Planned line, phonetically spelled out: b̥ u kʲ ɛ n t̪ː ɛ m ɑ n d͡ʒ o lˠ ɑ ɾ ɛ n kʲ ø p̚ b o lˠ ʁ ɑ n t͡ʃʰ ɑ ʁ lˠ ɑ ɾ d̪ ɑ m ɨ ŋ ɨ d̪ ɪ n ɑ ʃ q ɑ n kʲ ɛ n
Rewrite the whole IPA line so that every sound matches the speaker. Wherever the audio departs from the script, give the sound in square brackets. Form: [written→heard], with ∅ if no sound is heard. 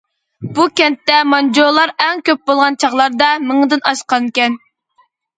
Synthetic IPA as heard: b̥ u kʲ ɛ n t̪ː ɛ m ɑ n d͡ʒ o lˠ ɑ ɾ ɛ [n→ŋ] kʲ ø p̚ b o lˠ ʁ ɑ n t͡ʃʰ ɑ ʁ lˠ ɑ ɾ d̪ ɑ m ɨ ŋ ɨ d̪ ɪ n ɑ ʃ q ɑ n kʲ ɛ n